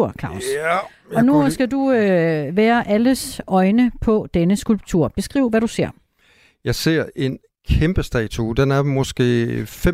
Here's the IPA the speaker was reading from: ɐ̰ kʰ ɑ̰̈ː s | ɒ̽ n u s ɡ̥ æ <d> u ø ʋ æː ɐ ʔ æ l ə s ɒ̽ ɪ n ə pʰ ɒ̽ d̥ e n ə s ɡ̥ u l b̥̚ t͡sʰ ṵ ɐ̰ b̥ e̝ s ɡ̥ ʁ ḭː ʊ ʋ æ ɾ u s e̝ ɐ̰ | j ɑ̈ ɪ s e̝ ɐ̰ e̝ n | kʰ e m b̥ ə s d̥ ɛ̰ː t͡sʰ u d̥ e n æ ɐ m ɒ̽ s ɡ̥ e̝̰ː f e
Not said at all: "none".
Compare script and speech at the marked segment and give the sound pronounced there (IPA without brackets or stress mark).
d